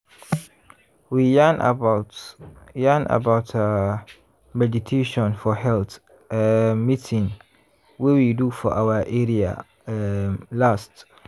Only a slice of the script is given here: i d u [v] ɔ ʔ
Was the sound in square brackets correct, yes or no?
no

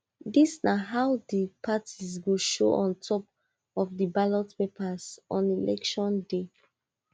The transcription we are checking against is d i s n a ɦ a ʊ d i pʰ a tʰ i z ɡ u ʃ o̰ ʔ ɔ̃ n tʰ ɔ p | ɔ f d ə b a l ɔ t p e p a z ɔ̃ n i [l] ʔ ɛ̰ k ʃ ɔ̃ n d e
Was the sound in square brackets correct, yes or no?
yes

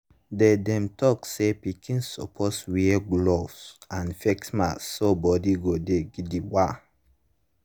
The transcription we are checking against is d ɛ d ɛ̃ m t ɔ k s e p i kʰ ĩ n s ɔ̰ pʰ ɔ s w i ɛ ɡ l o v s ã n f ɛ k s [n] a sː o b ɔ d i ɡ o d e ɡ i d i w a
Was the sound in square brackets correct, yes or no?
no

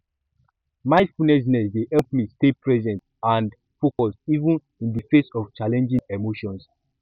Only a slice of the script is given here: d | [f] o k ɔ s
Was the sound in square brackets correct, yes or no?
yes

